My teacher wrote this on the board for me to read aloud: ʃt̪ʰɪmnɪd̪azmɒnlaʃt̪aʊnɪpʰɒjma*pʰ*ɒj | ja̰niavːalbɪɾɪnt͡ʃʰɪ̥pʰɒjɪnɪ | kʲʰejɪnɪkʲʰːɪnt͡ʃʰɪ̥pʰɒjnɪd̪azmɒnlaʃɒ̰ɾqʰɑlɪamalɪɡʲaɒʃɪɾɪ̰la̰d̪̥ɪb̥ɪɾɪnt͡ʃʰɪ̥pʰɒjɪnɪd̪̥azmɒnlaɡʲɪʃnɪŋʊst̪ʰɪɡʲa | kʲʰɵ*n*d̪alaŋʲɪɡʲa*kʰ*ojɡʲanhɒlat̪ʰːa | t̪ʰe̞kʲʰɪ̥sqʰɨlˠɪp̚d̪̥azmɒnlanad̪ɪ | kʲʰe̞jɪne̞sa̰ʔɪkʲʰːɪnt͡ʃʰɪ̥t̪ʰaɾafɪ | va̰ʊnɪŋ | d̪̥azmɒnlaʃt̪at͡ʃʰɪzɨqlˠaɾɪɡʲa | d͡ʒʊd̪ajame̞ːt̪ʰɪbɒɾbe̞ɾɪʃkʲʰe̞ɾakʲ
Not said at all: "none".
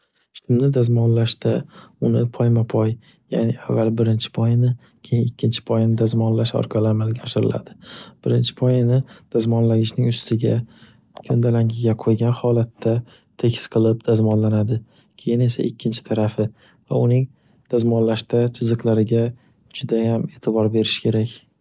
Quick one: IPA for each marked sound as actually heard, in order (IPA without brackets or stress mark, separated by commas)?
pʰ, n, qʰ